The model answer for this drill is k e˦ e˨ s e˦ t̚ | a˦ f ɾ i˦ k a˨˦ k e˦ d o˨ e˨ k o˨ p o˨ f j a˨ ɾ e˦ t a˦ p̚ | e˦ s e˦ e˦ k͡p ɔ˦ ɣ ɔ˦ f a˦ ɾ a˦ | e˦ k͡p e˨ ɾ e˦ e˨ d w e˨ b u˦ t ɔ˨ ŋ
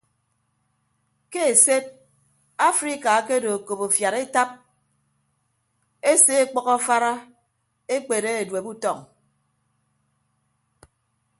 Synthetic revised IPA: k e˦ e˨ s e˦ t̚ | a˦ f ɾ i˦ k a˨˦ k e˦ d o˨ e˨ k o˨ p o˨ f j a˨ ɾ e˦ t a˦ p̚ | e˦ s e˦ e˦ k͡p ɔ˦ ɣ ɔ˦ f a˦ ɾ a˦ | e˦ k͡p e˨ ɾ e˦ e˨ d w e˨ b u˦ t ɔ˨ ŋ